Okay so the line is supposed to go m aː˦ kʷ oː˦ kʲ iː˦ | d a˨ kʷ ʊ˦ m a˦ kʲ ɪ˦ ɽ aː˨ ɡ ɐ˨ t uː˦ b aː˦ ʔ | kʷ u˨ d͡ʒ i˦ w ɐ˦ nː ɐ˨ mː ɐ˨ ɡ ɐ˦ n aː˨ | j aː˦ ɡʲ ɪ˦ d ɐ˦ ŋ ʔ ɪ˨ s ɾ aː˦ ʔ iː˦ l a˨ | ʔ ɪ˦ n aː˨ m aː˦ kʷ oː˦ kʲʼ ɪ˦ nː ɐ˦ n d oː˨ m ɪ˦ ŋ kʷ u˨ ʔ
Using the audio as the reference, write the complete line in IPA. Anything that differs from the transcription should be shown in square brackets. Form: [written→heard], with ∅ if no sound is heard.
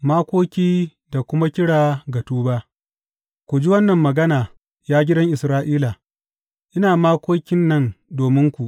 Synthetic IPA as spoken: m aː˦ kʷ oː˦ kʲ iː˦ | d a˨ kʷ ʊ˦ m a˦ kʲ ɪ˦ ɽ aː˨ ɡ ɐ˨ t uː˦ b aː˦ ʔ | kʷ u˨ d͡ʒ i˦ w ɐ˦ nː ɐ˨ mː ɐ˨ ɡ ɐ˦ n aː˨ | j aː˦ ɡʲ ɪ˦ d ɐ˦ ŋ ʔ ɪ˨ s ɾ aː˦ ʔ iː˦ l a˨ | ʔ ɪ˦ n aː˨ m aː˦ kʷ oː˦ [kʲʼ→kʲ] ɪ˦ nː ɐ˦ n d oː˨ m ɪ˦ ŋ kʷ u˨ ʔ